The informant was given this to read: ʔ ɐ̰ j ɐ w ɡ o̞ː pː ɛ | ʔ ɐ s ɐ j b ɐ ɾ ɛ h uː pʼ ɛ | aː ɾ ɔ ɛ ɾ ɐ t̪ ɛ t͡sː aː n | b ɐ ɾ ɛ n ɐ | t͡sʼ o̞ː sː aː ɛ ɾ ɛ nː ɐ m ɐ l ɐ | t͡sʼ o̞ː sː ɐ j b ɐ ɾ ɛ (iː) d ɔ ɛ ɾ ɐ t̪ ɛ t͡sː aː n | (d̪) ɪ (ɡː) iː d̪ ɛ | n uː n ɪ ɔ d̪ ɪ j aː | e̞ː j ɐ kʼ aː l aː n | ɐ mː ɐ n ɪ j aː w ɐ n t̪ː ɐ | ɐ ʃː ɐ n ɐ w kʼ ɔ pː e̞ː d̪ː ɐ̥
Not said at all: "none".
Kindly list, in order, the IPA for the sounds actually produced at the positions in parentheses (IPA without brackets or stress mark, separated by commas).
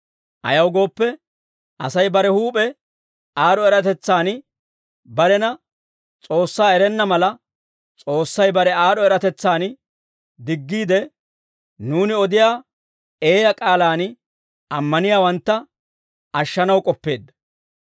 aː, d̪, ɡː